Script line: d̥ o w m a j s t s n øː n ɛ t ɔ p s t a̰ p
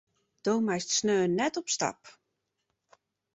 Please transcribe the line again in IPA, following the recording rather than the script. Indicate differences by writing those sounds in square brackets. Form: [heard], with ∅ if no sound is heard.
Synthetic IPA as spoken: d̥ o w m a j s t s n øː n ɛ t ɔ p s t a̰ p